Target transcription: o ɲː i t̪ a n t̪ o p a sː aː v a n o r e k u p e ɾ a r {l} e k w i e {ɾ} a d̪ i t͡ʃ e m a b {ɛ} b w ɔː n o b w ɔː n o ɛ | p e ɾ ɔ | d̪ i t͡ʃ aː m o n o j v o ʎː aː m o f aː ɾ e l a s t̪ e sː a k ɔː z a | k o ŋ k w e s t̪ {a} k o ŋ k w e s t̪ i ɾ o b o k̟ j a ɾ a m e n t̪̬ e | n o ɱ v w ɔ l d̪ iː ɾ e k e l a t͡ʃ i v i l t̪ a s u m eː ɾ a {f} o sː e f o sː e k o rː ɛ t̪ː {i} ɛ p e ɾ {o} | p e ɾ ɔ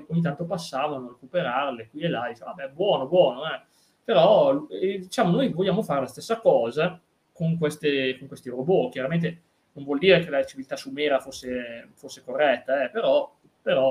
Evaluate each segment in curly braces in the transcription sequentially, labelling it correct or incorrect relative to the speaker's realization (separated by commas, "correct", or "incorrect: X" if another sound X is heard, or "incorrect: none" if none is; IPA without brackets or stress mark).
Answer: correct, incorrect: l, correct, incorrect: e, correct, incorrect: a, incorrect: ɔ